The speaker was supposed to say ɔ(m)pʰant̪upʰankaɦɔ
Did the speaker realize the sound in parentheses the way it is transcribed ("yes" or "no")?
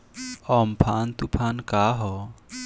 yes